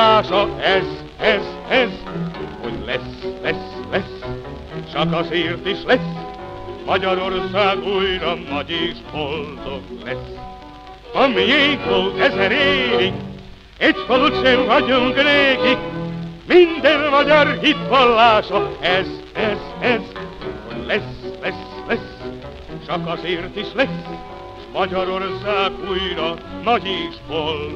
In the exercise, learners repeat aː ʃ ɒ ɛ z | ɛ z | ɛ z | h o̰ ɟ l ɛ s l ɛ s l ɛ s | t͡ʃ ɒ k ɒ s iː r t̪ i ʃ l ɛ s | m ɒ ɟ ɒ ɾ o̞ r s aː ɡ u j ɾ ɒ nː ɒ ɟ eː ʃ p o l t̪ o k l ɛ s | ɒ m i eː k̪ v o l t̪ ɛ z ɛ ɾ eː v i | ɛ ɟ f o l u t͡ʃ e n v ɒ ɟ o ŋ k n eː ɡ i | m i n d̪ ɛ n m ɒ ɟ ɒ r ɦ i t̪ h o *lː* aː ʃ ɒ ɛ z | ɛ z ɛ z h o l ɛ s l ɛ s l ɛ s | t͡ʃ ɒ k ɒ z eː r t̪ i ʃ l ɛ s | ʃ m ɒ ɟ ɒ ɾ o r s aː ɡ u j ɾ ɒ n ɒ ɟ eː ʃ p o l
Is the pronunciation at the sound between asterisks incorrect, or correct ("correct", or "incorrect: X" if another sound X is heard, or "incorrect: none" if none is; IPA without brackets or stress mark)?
correct